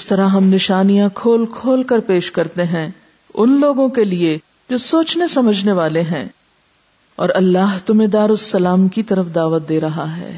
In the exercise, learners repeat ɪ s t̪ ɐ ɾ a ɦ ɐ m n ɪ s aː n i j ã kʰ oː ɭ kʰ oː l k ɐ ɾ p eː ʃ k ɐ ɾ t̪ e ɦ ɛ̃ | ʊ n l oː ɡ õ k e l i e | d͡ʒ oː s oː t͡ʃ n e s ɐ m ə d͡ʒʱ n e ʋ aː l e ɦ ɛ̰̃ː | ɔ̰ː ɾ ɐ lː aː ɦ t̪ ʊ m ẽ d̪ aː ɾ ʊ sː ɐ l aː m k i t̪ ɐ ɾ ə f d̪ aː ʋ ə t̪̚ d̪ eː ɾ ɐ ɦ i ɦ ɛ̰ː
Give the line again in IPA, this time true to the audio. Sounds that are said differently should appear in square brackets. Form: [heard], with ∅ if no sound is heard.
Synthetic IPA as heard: ɪ s t̪ ɐ ɾ a ɦ ɐ m n ɪ [ʃ] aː n i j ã kʰ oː [l] kʰ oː l k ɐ ɾ p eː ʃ k ɐ ɾ t̪ e ɦ ɛ̃ | ʊ n l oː ɡ õ k e l i e | d͡ʒ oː s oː t͡ʃ n e s ɐ m ə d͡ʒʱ n e ʋ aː l e ɦ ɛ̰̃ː | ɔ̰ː ɾ ɐ lː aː ɦ t̪ ʊ m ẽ d̪ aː ɾ ʊ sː ɐ l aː m k i t̪ ɐ ɾ ə f d̪ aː ʋ ə t̪̚ d̪ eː ɾ ɐ ɦ [a] ɦ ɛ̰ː